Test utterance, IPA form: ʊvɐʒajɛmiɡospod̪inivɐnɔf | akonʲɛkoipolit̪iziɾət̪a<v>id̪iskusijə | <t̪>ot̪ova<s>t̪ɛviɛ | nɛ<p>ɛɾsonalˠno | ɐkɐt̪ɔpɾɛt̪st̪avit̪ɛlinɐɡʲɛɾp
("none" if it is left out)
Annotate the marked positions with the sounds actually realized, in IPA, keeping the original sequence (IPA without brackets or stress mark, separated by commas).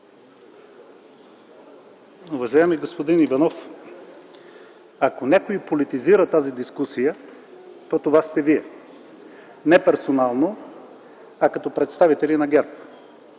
z, t̪, s, p